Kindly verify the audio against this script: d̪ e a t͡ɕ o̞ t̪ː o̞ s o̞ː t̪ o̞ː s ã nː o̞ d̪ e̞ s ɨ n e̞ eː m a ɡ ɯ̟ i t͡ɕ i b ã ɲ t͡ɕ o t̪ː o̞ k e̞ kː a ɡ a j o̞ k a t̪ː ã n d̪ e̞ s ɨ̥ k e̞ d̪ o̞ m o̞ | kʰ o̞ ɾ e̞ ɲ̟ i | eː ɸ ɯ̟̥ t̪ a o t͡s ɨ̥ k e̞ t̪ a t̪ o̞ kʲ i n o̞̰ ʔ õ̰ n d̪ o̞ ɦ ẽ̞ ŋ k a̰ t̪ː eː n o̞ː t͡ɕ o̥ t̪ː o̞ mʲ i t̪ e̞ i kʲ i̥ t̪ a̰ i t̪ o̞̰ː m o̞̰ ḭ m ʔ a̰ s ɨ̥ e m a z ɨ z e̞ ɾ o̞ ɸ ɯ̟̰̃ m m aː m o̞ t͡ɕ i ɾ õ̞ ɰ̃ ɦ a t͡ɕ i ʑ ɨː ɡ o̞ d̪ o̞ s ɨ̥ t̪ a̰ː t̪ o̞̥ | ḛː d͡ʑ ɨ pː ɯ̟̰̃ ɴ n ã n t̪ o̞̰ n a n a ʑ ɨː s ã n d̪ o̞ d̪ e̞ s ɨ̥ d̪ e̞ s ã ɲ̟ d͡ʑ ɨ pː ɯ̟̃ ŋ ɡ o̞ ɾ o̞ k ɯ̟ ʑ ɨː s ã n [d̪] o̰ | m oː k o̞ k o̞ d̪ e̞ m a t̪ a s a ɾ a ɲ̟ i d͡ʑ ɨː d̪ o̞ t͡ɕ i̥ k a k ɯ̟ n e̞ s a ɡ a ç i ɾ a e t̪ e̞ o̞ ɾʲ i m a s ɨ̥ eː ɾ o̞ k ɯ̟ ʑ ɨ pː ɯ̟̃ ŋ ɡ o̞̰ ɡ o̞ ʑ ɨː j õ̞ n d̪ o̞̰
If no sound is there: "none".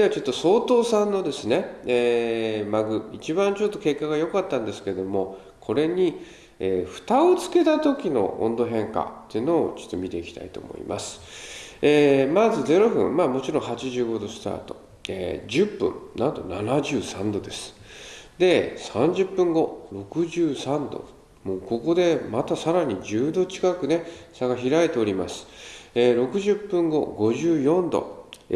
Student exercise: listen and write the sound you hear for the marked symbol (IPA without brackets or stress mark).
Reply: d̪